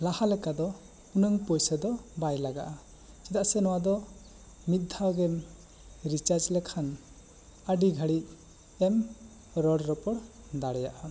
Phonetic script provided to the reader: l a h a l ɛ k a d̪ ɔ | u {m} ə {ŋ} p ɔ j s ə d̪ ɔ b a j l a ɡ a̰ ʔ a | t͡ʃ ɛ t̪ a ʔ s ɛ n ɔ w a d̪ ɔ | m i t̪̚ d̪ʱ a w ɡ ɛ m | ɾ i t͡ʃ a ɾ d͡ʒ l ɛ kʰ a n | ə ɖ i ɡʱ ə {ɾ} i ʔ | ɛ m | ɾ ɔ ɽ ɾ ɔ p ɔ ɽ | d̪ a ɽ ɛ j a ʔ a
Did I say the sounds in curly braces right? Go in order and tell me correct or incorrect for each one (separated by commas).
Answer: incorrect, correct, incorrect